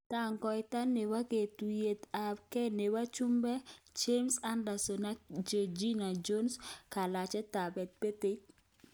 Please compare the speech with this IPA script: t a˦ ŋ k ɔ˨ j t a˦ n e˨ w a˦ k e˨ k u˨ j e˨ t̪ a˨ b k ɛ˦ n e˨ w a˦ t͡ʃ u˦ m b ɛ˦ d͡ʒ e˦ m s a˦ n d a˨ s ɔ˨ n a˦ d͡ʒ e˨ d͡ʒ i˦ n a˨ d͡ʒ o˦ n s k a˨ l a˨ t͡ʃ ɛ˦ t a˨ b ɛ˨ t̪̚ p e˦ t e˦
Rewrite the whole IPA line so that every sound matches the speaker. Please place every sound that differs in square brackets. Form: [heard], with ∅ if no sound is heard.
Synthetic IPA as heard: t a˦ ŋ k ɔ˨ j t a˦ n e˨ w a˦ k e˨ [t] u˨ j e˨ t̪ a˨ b k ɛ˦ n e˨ w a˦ t͡ʃ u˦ m b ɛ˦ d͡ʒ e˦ m s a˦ n d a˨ s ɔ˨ n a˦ d͡ʒ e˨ d͡ʒ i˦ n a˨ d͡ʒ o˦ n s k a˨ l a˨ t͡ʃ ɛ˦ t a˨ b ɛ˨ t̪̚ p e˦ t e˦

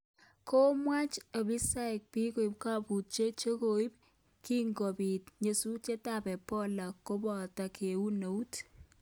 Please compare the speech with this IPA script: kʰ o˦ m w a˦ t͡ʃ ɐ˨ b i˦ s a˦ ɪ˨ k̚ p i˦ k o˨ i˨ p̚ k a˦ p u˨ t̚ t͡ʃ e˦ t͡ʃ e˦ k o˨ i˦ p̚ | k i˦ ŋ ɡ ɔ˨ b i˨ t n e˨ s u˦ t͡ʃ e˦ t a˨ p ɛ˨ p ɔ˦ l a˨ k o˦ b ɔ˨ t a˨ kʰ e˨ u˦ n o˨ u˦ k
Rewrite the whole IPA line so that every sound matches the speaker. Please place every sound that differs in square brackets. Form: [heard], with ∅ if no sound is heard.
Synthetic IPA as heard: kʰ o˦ m w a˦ t͡ʃ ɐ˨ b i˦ s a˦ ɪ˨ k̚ p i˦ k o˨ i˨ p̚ k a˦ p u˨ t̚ t͡ʃ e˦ t͡ʃ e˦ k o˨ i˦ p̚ | k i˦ ŋ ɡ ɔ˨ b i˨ t [ɲ] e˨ s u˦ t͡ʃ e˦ t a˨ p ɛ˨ p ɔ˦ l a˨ k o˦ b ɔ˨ t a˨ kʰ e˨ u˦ n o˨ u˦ [t]

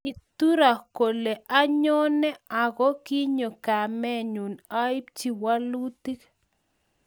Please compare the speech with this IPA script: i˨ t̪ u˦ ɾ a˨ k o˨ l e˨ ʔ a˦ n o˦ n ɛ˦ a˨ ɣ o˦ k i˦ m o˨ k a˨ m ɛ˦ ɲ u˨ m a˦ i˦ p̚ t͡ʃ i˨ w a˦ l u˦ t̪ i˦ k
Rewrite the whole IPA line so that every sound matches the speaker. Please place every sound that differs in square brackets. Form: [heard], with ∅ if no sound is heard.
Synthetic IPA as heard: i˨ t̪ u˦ ɾ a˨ k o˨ l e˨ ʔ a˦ [ɲ] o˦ n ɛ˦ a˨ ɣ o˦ k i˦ [ɲ] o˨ k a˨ m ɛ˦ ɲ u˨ [n] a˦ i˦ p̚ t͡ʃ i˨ w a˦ l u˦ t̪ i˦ k

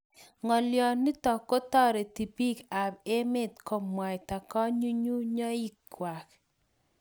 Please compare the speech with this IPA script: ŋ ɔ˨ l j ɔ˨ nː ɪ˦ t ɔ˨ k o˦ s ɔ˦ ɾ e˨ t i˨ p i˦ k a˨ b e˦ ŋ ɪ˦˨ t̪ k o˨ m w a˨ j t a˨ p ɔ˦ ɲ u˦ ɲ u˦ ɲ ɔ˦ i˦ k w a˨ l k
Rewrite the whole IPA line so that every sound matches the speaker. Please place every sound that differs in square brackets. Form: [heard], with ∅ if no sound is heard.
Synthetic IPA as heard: ŋ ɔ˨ l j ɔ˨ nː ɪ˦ t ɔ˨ k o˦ [t] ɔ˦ ɾ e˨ t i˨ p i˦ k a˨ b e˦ [m] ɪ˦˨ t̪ k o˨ m w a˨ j t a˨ [k] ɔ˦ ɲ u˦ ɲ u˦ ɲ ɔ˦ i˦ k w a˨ [∅] k

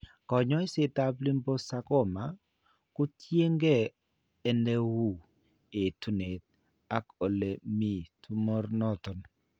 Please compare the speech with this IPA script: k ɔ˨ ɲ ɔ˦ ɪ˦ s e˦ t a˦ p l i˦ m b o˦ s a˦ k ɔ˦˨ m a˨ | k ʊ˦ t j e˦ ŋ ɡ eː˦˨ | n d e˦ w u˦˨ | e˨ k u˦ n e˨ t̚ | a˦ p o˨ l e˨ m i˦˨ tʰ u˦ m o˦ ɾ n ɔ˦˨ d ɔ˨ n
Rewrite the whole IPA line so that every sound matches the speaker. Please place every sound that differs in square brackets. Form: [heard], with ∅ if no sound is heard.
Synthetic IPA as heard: k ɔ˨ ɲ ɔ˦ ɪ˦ s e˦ t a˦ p l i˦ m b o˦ s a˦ k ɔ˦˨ m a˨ | k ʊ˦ t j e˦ ŋ ɡ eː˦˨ | n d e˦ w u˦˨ | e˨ [t] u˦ n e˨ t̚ | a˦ [k] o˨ l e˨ m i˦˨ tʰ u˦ m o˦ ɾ n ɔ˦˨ [t] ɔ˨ n

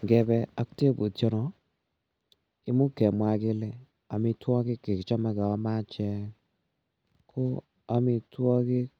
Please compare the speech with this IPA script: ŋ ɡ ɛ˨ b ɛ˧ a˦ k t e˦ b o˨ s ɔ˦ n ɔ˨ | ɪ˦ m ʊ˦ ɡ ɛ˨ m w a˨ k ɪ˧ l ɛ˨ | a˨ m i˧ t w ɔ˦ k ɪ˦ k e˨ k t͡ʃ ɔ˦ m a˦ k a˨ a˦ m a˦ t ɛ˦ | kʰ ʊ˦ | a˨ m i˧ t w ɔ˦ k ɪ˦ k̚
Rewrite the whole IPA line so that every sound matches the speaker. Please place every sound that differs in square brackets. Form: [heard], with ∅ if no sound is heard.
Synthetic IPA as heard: ŋ ɡ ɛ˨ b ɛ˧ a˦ k t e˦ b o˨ [t] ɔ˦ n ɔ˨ | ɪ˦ m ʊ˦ [k] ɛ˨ m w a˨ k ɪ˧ l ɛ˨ | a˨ m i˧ t w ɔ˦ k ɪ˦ k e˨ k t͡ʃ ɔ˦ m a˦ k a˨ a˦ m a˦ [t͡ʃ] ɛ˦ | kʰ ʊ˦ | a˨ m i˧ t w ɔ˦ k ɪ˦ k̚

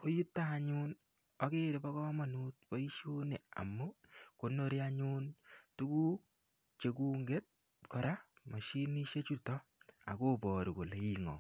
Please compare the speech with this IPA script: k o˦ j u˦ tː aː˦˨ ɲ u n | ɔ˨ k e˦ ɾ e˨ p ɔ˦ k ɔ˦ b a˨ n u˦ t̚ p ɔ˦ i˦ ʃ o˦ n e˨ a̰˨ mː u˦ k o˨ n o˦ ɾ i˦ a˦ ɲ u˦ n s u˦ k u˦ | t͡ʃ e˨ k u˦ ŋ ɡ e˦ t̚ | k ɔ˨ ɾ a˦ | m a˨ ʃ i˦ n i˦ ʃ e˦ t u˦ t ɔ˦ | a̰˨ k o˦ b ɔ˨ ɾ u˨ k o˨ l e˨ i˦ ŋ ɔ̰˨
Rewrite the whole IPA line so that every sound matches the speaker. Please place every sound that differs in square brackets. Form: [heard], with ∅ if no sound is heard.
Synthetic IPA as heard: k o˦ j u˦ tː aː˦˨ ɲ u n | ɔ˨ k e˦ ɾ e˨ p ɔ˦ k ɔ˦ [m] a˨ n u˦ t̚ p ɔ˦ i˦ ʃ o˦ n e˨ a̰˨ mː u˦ k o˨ n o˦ ɾ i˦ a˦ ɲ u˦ n [t] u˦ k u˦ | t͡ʃ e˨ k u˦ ŋ ɡ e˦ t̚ | k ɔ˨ ɾ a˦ | m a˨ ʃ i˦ n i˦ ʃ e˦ [t͡ʃ] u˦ t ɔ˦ | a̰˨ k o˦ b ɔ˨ ɾ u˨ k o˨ l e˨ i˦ ŋ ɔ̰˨

